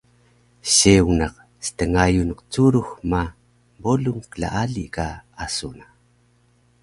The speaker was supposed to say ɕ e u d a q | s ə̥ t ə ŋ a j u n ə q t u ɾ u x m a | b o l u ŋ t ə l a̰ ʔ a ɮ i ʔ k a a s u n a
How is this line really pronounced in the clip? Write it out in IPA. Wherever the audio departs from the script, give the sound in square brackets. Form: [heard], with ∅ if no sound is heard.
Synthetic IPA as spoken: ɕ e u [n] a q | s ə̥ t ə ŋ a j u n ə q [t͡s] u ɾ u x m a | b o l u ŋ [k] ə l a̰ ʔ a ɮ i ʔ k a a s u n a